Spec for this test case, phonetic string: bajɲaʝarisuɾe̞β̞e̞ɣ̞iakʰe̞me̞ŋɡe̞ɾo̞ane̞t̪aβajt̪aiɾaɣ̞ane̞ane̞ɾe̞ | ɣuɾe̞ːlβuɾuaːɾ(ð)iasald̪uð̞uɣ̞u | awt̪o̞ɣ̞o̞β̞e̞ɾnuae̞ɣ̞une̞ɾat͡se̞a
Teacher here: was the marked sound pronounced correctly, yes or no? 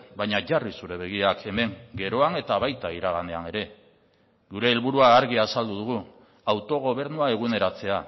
no